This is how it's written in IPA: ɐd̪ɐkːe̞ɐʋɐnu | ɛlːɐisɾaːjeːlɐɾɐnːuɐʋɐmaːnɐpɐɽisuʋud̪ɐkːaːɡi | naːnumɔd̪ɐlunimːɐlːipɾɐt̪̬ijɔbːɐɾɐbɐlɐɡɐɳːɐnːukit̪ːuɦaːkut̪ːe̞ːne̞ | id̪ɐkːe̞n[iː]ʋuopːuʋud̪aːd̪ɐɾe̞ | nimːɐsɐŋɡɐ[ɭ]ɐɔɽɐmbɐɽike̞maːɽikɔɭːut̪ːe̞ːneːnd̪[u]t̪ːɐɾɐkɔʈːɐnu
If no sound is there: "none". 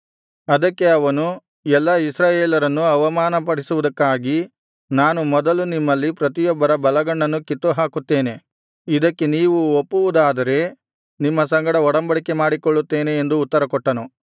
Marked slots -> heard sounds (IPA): iː, ɽ, uː

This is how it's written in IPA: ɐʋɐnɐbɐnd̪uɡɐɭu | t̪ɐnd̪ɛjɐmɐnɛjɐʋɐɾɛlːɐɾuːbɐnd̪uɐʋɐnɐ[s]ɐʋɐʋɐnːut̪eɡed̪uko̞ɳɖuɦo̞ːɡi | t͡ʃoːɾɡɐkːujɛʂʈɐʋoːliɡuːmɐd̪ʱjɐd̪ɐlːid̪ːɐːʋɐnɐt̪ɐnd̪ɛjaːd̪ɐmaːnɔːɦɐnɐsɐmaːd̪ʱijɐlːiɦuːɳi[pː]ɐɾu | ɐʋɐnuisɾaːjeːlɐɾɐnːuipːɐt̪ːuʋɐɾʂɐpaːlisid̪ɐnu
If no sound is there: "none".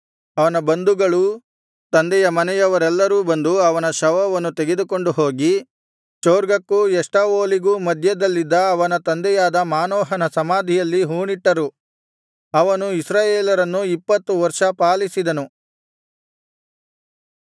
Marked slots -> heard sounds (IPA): ʃ, ʈː

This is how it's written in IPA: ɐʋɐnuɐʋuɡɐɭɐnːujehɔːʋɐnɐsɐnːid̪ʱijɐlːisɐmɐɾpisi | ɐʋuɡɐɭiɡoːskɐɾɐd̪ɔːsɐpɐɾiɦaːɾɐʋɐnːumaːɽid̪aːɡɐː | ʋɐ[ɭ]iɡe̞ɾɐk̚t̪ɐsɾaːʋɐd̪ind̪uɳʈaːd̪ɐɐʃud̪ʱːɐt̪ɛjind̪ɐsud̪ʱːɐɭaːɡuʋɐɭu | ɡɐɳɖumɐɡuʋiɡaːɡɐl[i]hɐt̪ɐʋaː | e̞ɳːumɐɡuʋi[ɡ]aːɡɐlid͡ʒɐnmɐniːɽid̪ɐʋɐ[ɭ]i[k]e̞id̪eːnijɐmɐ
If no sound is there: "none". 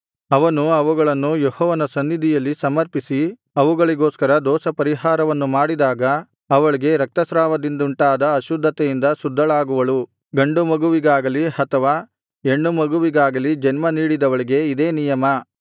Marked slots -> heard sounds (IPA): ɭ, i, ɡ, ɭ, ɡ

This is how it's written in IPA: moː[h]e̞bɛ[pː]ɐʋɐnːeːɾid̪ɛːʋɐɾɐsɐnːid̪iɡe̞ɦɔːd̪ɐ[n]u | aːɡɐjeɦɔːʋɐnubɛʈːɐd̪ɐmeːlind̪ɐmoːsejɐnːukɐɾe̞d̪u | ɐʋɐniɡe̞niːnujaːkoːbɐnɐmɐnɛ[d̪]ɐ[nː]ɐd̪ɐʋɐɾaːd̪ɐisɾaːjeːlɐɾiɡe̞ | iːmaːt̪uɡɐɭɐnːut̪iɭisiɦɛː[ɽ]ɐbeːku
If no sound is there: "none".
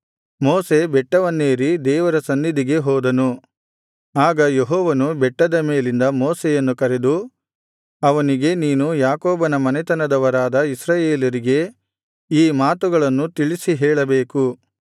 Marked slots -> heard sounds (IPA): s, ʈː, n, t̪, n, ɭ

